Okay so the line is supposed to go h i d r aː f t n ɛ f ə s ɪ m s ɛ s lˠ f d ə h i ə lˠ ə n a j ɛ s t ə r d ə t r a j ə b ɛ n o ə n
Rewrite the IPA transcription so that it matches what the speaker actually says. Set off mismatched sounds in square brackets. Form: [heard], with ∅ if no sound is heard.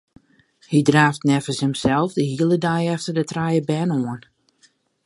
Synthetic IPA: h i d r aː f t n ɛ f ə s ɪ m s ɛ [∅] lˠ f d ə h i ə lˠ ə [d] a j ɛ [f] t ə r d ə t r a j ə b ɛ n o ə n